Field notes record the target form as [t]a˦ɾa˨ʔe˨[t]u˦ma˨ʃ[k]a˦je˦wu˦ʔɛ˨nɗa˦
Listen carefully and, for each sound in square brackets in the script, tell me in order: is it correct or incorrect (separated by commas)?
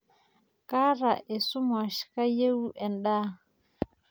incorrect, incorrect, correct